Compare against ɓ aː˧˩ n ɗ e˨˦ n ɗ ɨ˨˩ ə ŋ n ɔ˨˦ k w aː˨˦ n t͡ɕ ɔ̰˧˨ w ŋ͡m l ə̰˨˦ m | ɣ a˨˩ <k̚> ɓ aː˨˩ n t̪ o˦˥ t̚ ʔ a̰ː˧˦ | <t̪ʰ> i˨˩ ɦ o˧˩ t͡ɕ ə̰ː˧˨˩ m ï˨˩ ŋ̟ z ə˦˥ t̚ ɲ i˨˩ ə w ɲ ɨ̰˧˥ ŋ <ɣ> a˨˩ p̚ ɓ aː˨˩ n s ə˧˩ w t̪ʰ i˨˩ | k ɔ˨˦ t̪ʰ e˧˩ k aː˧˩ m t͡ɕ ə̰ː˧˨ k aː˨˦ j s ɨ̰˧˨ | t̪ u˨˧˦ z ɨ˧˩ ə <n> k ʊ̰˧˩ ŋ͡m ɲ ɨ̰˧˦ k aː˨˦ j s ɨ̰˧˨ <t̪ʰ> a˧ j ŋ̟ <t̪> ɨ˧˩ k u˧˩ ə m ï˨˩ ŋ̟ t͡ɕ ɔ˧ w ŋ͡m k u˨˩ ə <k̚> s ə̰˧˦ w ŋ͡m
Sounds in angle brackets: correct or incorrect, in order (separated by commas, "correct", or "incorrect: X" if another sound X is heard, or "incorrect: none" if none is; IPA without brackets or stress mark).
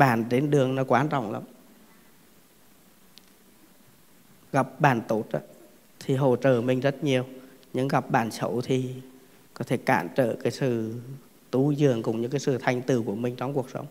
incorrect: p̚, correct, correct, incorrect: ŋ, correct, correct, correct